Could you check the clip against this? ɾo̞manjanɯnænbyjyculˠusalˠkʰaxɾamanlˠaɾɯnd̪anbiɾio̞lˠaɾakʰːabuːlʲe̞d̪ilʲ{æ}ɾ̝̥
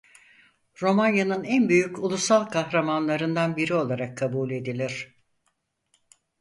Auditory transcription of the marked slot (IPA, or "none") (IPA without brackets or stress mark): i